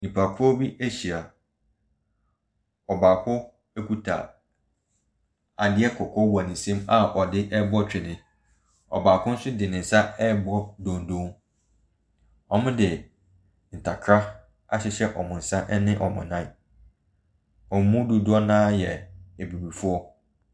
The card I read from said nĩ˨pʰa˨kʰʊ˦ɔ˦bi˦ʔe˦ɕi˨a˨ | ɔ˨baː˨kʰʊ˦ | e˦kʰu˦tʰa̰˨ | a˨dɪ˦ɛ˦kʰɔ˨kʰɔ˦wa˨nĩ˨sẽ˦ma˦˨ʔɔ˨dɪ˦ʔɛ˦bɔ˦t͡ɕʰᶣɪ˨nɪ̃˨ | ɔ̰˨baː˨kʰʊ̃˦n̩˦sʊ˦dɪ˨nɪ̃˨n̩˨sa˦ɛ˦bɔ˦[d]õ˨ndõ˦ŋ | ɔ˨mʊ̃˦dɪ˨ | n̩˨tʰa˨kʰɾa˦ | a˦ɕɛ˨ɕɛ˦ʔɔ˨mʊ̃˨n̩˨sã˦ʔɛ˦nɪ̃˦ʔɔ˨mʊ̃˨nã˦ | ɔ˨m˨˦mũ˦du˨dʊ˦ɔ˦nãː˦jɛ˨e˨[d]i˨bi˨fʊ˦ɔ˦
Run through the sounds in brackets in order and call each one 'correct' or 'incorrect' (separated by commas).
correct, incorrect